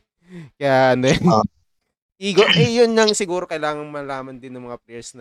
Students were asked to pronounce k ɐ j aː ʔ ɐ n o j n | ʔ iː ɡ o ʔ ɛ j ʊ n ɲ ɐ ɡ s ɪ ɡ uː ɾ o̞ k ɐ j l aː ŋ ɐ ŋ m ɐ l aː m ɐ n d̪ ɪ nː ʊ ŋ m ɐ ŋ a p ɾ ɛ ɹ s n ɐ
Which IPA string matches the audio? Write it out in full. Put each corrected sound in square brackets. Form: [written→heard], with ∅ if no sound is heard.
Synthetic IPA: k ɐ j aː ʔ ɐ n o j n | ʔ iː ɡ o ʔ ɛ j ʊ n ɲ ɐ [ɡ→ŋ] s ɪ ɡ uː ɾ o̞ k ɐ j l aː ŋ ɐ ŋ m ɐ l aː m ɐ n d̪ ɪ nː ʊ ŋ m ɐ ŋ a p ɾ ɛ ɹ s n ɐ